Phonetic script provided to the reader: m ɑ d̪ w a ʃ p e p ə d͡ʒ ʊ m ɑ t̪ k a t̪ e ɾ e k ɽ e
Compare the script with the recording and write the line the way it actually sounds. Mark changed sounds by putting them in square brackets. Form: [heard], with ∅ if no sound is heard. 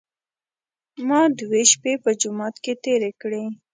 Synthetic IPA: m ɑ d̪ w [e] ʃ p e p ə d͡ʒ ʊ m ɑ t̪ k [e] t̪ e ɾ e k ɽ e